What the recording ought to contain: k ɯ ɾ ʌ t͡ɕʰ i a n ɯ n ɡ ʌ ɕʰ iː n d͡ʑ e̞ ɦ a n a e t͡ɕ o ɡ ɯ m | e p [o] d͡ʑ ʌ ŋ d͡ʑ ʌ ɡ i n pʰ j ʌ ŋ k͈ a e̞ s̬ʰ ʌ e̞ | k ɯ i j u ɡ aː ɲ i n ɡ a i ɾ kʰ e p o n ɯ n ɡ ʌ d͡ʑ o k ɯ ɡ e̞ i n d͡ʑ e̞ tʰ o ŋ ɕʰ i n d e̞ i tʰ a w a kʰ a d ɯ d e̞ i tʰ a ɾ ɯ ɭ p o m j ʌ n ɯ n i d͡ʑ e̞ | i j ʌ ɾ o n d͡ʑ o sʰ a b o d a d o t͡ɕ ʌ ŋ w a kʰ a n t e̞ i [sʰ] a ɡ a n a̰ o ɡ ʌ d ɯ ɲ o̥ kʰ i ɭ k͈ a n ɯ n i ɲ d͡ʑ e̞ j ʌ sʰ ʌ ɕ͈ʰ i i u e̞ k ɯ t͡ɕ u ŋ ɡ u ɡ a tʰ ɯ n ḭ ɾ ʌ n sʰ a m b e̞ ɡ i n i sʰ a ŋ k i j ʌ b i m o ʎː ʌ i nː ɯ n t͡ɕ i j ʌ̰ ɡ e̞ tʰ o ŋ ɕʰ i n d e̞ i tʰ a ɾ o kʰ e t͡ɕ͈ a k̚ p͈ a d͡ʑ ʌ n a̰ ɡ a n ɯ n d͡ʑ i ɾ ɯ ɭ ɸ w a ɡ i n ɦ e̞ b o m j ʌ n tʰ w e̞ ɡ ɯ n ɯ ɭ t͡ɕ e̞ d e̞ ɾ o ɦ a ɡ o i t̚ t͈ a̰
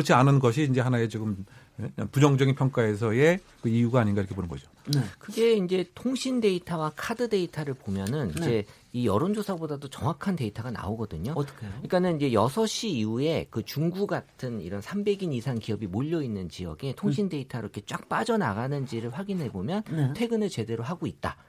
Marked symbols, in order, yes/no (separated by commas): no, no